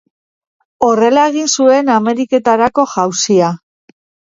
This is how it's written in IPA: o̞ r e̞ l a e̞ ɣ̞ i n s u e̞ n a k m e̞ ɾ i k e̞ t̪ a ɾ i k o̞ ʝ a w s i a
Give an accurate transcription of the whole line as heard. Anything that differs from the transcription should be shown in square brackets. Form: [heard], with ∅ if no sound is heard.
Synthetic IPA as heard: o̞ r e̞ l a e̞ ɣ̞ i n s u e̞ n a [∅] m e̞ ɾ i k e̞ t̪ a ɾ [a] k o̞ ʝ a w s i a